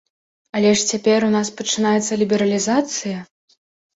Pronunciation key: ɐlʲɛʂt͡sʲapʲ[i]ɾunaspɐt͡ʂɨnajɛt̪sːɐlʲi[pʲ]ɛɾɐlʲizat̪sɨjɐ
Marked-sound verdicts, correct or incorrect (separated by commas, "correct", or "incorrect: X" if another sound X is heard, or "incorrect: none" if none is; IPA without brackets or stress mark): incorrect: ɛ, incorrect: bʲ